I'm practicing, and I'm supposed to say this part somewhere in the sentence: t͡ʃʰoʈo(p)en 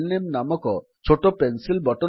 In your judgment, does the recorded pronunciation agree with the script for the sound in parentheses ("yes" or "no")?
yes